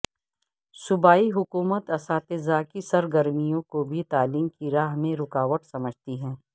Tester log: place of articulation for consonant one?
alveolar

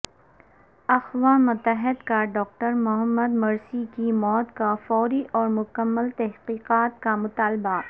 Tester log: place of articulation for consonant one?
velar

